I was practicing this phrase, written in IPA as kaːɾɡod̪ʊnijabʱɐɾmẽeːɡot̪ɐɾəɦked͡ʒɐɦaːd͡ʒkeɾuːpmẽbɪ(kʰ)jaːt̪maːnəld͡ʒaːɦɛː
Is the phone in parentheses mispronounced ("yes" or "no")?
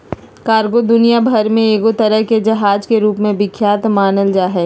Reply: no